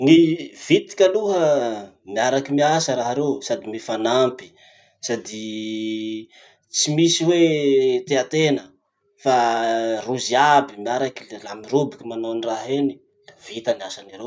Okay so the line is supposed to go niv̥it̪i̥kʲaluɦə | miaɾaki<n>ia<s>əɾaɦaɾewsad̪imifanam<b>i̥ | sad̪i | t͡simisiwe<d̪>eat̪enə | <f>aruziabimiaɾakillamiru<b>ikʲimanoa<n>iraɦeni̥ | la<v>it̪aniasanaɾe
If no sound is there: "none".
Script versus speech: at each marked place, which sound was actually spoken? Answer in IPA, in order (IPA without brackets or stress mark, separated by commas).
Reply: m, s, p, t̪, f, b, n, v